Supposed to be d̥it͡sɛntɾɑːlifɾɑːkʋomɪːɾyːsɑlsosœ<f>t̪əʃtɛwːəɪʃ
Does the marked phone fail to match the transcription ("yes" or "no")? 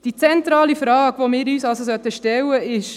yes